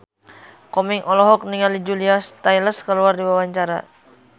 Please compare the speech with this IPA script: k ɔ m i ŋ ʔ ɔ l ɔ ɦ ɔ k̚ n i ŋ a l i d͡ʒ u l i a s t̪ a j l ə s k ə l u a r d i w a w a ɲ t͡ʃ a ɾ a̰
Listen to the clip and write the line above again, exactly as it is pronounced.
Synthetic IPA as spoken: k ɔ m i ŋ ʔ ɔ l ɔ ɦ ɔ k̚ n i ŋ a l i d͡ʒ u l i a s t̪ a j l ə s k ə l u a r d i w a w a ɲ t͡ʃ a ɾ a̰

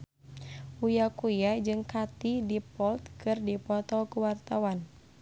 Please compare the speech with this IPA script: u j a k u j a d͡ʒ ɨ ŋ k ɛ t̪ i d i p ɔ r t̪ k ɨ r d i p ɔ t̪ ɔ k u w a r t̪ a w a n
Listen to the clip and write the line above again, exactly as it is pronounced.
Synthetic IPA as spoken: u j a k u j a d͡ʒ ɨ ŋ k a t̪ i d i p ɔ l t̪ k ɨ r d i p ɔ t̪ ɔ k u w a r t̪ a w a n

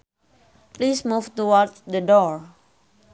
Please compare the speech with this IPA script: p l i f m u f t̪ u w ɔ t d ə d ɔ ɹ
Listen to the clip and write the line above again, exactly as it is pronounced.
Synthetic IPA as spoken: p l i s m u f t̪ u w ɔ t d ə d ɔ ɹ

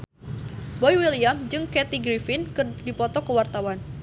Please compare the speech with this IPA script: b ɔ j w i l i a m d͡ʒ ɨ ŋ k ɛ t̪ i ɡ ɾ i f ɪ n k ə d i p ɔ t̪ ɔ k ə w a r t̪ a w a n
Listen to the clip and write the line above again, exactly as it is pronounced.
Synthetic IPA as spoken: b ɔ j w i l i a m d͡ʒ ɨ ŋ k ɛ t̪ i ɡ ɾ i f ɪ n k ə d i p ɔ t̪ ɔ k ə w a r t̪ a w a n

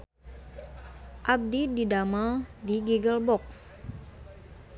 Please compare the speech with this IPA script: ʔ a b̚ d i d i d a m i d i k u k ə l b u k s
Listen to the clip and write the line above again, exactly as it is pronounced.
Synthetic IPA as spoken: ʔ a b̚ d i d i d a m a d i ɡ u ɡ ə l b ɔ k s

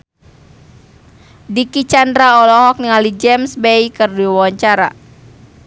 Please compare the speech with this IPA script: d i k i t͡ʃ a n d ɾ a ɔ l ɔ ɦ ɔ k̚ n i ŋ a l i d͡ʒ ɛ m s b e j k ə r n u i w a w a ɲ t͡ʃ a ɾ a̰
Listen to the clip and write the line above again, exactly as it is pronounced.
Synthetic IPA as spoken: d i k i t͡ʃ a n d ɾ a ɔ l ɔ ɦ ɔ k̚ n i ŋ a l i d͡ʒ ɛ m s b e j k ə r d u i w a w a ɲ t͡ʃ a ɾ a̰

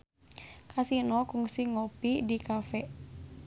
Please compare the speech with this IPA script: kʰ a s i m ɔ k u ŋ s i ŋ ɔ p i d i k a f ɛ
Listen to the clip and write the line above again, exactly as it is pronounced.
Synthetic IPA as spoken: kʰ a s i n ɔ k u ŋ s i ŋ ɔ p i d i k a f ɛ

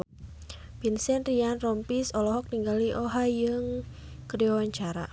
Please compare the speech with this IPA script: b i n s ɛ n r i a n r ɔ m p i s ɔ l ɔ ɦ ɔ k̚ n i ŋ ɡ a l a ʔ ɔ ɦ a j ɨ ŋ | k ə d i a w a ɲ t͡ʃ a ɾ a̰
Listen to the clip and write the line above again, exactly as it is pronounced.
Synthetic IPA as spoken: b i n s ɛ n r i a n r ɔ m p i s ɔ l ɔ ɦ ɔ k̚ n i ŋ ɡ a l i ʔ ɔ ɦ a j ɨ ŋ | k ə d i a w a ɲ t͡ʃ a ɾ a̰

